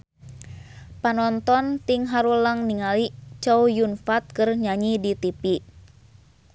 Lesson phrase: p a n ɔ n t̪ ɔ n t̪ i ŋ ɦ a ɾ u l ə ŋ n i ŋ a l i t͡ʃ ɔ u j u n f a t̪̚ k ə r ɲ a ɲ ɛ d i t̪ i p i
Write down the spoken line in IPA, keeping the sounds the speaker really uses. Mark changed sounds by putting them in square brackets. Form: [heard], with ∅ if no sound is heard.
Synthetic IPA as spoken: p a n ɔ n t̪ ɔ n t̪ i ŋ ɦ a ɾ u l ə ŋ n i ŋ a l i t͡ʃ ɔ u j u n f a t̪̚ k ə r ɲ a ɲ [i] d i t̪ i p i